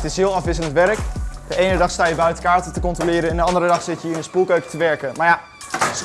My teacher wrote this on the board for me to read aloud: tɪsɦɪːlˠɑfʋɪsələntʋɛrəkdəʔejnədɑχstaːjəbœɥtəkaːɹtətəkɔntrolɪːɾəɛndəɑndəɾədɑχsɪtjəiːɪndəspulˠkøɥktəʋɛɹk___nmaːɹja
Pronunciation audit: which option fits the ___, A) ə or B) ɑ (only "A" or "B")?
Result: A